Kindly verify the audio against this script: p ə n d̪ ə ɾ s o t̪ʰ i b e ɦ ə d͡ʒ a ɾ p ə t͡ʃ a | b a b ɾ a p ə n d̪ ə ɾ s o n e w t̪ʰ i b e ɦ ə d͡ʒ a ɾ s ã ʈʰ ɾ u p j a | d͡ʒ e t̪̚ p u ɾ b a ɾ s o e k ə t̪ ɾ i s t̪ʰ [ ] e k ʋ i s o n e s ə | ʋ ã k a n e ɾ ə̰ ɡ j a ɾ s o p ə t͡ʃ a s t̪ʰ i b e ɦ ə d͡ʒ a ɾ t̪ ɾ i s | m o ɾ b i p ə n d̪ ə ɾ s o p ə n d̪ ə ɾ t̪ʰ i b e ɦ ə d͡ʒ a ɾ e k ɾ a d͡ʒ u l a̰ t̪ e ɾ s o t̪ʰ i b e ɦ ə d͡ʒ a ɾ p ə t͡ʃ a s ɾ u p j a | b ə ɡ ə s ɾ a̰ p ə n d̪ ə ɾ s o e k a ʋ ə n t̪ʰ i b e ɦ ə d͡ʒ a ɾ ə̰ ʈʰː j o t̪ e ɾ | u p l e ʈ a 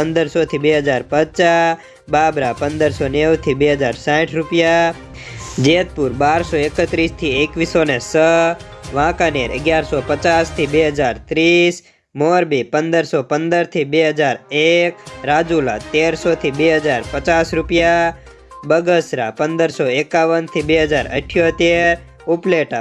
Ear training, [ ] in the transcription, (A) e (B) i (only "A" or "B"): B